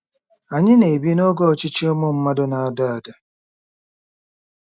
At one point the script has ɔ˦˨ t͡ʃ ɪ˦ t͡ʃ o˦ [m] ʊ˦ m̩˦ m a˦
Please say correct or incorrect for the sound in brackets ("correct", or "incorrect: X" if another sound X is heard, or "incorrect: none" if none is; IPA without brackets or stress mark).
correct